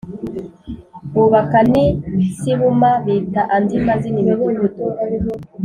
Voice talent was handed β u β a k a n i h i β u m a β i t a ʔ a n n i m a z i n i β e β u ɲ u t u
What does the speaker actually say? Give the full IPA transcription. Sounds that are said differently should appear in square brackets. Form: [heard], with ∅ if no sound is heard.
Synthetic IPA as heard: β u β a k a n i [s] i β u m a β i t a ʔ a n [d] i m a z i n i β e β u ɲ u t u